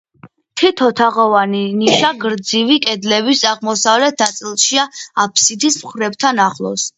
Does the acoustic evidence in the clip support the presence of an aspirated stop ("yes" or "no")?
yes